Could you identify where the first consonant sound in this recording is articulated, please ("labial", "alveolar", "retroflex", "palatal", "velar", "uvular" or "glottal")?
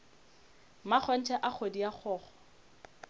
labial